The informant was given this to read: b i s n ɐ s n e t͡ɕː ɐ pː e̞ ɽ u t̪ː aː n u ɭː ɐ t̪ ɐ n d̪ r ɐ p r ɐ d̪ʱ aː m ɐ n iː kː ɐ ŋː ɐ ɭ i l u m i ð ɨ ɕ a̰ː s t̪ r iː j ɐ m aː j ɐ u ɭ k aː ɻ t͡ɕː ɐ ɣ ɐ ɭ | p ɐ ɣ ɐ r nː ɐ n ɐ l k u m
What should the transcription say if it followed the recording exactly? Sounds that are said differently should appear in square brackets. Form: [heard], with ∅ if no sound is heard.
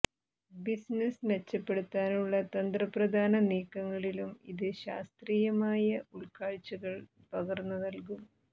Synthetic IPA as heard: b i s n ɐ s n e t͡ɕː ɐ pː e̞ ɽ u t̪ː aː n u ɭː ɐ t̪ ɐ n d̪ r ɐ p r ɐ d̪ʱ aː [n] ɐ n iː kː ɐ ŋː ɐ ɭ i l u m i ð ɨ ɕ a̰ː s t̪ r iː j ɐ m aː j ɐ u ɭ k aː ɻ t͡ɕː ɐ ɣ ɐ ɭ | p ɐ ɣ ɐ r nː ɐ n ɐ l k u m